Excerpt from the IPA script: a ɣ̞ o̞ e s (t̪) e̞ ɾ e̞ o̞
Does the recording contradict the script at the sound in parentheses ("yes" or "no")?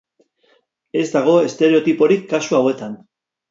no